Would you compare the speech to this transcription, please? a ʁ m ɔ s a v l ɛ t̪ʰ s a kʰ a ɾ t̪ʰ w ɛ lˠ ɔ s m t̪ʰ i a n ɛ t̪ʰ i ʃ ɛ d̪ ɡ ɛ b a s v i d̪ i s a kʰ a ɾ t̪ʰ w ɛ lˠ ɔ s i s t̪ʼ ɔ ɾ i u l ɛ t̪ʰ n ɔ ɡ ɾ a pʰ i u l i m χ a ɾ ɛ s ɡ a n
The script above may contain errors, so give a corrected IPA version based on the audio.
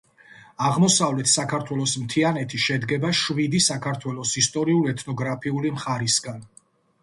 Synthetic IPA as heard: a ʁ m ɔ s a v l ɛ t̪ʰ s a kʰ a ɾ t̪ʰ w ɛ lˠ ɔ s m t̪ʰ i a n ɛ t̪ʰ i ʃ ɛ d̪ ɡ ɛ b a ʃ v i d̪ i s a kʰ a ɾ t̪ʰ w ɛ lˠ ɔ s i s t̪ʼ ɔ ɾ i u l ɛ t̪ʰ n ɔ ɡ ɾ a pʰ i u l i m χ a ɾ i s ɡ a n